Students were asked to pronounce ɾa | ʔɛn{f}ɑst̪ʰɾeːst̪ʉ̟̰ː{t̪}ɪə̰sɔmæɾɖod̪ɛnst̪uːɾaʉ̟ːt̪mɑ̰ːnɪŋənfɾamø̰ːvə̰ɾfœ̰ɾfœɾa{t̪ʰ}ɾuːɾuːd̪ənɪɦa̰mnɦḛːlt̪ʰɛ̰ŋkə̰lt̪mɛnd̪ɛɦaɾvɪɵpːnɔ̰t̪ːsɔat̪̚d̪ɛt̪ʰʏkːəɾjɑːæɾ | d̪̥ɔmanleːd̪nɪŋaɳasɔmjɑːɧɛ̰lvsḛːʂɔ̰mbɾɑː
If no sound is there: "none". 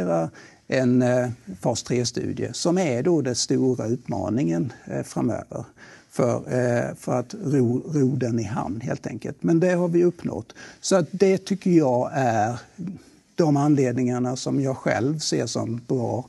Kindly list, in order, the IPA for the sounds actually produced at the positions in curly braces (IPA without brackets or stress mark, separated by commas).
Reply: f, d̪, t̪